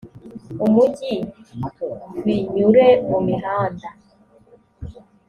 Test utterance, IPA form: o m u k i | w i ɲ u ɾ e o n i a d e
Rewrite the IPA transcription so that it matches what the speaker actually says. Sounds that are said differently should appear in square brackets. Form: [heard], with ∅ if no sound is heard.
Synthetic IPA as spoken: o m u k i | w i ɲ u ɾ e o [m] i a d [a]